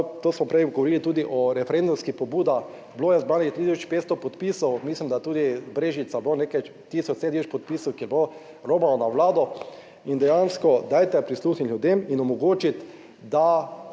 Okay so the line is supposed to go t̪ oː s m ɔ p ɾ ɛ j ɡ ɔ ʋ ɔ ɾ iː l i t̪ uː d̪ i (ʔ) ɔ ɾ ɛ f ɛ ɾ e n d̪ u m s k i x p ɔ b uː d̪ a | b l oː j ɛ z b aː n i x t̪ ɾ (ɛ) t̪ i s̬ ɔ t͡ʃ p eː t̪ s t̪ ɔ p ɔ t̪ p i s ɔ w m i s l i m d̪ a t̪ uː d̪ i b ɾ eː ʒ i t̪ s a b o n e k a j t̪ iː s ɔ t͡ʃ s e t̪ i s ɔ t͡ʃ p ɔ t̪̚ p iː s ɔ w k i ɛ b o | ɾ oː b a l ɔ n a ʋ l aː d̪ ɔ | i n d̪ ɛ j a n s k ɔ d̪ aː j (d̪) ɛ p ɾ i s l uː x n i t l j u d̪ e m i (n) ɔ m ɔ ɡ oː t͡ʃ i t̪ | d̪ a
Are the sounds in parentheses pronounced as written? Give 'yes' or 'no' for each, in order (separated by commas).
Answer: yes, no, no, yes